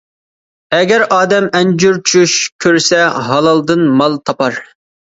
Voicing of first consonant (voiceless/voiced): voiced